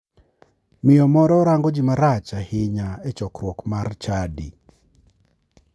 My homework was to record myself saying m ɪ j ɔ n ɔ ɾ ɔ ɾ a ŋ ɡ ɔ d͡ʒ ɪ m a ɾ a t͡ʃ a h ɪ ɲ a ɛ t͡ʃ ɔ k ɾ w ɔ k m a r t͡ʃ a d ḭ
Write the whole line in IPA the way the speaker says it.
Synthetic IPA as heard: m ɪ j ɔ m ɔ ɾ ɔ ɾ a ŋ ɡ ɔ d͡ʒ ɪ m a ɾ a t͡ʃ a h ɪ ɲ a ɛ t͡ʃ ɔ k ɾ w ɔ k m a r t͡ʃ a d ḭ